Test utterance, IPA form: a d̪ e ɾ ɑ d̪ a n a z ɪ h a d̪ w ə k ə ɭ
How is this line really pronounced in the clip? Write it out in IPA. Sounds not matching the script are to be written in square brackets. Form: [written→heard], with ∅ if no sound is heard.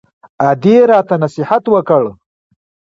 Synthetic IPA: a d̪ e ɾ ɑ [d̪→t̪] a n a [z→s] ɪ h a [d̪→t̪] w ə k ə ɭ